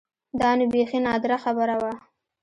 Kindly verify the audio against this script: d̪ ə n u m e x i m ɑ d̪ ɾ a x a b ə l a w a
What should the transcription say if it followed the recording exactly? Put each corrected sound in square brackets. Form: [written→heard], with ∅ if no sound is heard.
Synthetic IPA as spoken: d̪ [ə→ɑ] n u [m→b] e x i [m→n] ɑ d̪ ɾ a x a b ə [l→ɾ] a w a